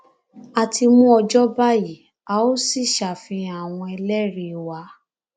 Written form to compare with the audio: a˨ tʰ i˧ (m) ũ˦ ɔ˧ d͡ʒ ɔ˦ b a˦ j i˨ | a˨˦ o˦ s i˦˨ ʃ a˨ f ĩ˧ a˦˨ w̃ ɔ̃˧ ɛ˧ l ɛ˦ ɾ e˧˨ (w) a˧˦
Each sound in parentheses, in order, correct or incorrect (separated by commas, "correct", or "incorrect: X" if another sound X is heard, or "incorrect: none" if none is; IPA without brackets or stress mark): correct, correct